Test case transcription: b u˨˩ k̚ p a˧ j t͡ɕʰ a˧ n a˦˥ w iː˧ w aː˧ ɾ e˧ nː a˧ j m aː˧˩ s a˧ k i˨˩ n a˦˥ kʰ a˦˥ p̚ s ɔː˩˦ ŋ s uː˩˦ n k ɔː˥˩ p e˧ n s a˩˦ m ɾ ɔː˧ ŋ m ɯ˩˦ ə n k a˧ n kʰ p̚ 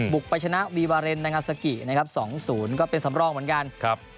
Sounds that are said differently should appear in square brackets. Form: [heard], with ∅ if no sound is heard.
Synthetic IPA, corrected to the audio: b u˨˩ k̚ p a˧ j t͡ɕʰ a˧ n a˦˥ w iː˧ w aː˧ ɾ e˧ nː a˧ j [ŋ] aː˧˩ s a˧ k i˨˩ n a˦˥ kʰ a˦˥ p̚ s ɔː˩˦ ŋ s uː˩˦ n k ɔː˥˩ p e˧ n s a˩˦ m ɾ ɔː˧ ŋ m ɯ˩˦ ə n k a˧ n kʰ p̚